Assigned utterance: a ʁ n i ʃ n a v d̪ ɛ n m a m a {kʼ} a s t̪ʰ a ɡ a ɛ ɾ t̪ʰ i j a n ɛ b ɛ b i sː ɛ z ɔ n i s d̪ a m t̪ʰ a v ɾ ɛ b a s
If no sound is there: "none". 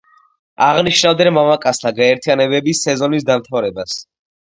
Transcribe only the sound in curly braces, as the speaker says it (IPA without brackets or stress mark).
kʼ